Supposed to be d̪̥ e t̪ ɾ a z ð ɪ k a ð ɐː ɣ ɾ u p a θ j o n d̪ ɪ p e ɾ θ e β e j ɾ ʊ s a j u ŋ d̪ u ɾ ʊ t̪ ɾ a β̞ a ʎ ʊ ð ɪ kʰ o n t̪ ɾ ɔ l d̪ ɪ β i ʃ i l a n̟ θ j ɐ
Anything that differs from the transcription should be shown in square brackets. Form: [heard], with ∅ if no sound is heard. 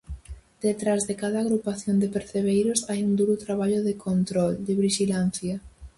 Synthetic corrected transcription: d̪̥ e t̪ ɾ a z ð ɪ k a ð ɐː ɣ ɾ u p a θ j o n d̪ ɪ p e ɾ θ e β e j ɾ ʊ s a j u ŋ d̪ u ɾ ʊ t̪ ɾ a β̞ a ʎ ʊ ð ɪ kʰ o n t̪ ɾ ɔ l d̪ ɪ β i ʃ i l a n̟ θ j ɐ